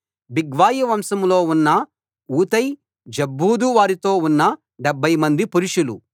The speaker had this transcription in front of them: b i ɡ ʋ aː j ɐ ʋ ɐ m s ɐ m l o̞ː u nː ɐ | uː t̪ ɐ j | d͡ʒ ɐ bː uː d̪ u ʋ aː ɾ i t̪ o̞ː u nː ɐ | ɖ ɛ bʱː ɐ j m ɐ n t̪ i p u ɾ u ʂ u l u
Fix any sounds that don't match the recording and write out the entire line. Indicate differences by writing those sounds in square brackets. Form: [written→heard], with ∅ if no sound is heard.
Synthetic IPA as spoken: b i ɡ ʋ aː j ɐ ʋ ɐ m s ɐ m l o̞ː u nː ɐ | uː t̪ ɐ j | d͡ʒ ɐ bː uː d̪ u ʋ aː ɾ i t̪ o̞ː u nː ɐ | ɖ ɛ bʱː ɐ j m ɐ n [t̪→d̪] i p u ɾ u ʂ u l u

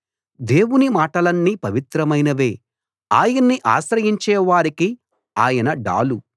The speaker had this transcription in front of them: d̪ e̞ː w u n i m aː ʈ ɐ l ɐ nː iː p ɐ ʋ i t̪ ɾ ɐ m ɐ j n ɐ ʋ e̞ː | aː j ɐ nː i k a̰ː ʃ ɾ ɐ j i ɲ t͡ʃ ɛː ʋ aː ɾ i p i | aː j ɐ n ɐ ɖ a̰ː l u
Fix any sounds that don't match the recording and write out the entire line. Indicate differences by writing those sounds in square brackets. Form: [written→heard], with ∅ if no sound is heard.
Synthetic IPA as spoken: d̪ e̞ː w u n i m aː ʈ ɐ l ɐ nː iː p ɐ ʋ i t̪ ɾ ɐ m ɐ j n ɐ ʋ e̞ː | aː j ɐ nː i [k→ʔ] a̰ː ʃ ɾ ɐ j i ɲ t͡ʃ ɛː ʋ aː ɾ i [p→k] i | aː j ɐ n ɐ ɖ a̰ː l u

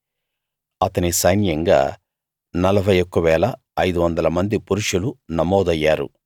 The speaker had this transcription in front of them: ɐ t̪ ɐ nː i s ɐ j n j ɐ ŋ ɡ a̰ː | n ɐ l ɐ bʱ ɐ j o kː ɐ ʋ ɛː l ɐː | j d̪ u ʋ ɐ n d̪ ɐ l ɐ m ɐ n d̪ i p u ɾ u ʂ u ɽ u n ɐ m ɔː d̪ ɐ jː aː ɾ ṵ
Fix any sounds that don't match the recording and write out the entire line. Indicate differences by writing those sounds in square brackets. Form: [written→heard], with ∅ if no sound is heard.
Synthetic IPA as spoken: ɐ t̪ ɐ [nː→n] i s ɐ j n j ɐ ŋ ɡ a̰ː | n ɐ l ɐ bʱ ɐ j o kː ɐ ʋ ɛː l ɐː | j d̪ u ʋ ɐ n d̪ ɐ l ɐ m ɐ n d̪ i p u ɾ u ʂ u [ɽ→l] u n ɐ m ɔː d̪ ɐ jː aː ɾ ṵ

